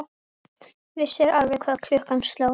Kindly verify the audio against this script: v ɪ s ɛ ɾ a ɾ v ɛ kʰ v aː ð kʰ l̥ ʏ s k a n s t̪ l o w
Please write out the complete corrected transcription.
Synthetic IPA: v ɪ s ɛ ɾ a ɾ v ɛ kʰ v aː ð kʰ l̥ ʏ h k a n s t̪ l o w